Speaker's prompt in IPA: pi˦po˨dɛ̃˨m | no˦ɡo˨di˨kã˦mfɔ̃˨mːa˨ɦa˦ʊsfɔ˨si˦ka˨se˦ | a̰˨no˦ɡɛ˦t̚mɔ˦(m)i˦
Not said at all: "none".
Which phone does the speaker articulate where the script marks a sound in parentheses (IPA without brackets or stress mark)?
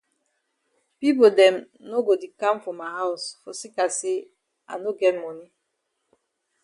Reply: n